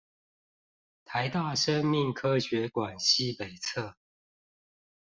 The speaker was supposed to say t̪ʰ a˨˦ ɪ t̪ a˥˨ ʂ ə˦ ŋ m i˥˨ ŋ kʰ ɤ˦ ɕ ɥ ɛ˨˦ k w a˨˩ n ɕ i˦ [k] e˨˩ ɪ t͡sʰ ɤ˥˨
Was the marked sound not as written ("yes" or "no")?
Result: yes